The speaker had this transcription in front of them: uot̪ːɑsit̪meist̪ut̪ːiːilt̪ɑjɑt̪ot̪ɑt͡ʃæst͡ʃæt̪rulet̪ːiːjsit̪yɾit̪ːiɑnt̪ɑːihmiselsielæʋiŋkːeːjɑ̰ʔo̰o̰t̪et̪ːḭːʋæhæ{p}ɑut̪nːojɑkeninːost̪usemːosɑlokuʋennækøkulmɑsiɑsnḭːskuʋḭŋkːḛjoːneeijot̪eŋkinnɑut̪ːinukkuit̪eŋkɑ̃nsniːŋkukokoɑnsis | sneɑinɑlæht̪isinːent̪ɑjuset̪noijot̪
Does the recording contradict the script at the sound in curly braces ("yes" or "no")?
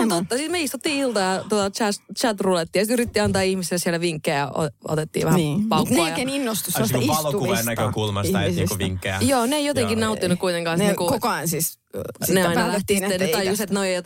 no